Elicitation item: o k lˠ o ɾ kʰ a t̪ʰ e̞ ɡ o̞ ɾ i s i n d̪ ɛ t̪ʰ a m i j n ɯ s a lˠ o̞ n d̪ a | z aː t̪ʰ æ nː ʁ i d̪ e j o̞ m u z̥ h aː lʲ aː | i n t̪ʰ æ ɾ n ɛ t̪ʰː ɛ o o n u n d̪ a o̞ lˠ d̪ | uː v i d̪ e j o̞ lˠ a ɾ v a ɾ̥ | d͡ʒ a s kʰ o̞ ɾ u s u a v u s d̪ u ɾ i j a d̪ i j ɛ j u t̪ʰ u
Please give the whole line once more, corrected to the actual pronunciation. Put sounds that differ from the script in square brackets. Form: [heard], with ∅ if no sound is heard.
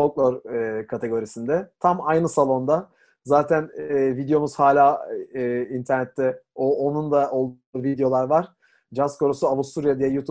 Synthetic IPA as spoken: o k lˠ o ɾ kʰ a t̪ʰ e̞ ɡ o̞ ɾ i s i n d̪ ɛ t̪ʰ a m [a] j n ɯ s a lˠ o̞ n d̪ a | z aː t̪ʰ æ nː [v] i d̪ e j o̞ m u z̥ h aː lʲ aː | i n t̪ʰ æ ɾ n ɛ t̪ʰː ɛ o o n u n d̪ a o̞ lˠ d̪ | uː v i d̪ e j o̞ lˠ a ɾ v a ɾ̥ | d͡ʒ a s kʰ o̞ ɾ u s u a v u s [t̪] u ɾ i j a d̪ i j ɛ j u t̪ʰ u